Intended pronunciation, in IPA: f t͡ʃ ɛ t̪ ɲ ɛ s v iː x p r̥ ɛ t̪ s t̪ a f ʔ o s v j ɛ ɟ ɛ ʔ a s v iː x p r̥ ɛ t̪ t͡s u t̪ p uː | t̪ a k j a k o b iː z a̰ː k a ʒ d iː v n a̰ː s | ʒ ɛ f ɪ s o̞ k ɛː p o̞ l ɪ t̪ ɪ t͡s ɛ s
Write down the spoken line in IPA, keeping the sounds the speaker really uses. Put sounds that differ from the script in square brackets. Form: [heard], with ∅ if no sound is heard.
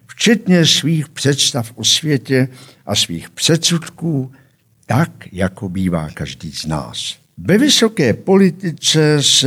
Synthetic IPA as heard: f t͡ʃ ɛ t̪ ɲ ɛ s v iː x p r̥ ɛ t̪ s t̪ a f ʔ o s v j ɛ [c] ɛ ʔ a s v iː x p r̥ ɛ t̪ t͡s u t̪ [k] uː | t̪ a k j a k o b iː [v] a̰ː k a ʒ d iː [z] n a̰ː s | [v] ɛ [v] ɪ s o̞ k ɛː p o̞ l ɪ t̪ ɪ t͡s ɛ s